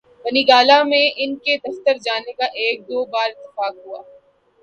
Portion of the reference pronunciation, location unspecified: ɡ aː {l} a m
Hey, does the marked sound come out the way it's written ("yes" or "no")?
yes